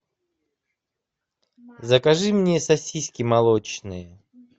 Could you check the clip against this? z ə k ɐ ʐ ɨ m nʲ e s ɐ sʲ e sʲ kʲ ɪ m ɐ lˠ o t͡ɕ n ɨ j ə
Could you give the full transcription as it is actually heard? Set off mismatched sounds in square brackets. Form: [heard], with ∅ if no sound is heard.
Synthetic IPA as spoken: z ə k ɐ ʐ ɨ m nʲ e s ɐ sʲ [i] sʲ kʲ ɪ m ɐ lˠ o t͡ɕ n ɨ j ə